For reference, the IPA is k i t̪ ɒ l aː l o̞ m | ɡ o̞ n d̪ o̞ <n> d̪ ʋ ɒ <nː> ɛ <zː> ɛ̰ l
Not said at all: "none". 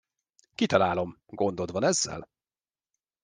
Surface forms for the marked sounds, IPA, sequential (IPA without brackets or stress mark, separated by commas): none, n, zː